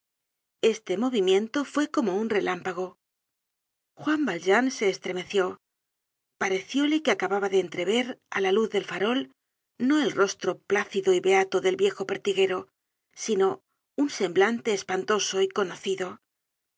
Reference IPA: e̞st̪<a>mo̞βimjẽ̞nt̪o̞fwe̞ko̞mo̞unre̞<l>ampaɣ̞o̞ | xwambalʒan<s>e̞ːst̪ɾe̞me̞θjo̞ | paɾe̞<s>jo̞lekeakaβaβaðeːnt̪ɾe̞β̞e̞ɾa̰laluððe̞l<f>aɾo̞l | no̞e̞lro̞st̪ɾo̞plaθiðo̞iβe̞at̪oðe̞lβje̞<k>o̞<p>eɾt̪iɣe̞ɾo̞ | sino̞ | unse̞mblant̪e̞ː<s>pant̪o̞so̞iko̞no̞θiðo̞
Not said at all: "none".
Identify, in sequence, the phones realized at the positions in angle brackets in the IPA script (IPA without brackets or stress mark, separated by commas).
e, l, s, θ, f, x, p, s